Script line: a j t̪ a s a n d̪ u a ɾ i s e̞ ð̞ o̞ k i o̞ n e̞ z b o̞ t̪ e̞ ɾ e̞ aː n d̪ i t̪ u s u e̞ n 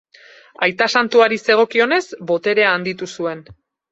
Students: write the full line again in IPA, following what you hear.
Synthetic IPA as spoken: a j t̪ a s a n t̪ u a ɾ i s e̞ ɣ̞ o̞ k i o̞ n e̞ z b o̞ t̪ e̞ ɾ e̞ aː n d̪ i t̪ u s u e̞ n